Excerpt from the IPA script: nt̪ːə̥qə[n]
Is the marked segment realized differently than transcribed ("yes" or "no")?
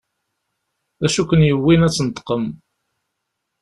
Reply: yes